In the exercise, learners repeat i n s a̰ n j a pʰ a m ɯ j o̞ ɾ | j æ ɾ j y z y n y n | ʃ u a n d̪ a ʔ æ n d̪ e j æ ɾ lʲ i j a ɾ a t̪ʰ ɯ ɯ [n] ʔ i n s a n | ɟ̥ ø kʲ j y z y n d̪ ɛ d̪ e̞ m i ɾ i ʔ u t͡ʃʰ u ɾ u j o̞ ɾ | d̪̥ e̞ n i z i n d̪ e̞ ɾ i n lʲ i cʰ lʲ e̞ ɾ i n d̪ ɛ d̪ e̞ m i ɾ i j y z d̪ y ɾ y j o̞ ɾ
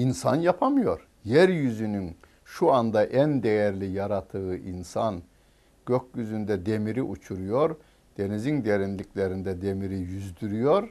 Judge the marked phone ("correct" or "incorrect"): incorrect